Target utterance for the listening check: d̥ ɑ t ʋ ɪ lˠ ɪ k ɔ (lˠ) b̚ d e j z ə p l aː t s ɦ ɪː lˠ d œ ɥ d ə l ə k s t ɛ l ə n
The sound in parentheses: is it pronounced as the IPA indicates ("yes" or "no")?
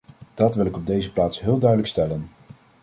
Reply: no